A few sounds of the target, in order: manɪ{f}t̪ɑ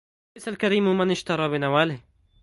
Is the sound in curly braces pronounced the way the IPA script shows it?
no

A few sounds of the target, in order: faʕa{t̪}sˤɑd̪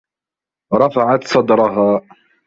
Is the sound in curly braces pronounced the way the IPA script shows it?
yes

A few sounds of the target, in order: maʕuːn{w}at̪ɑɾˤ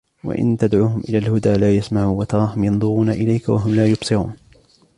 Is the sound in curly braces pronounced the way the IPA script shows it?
yes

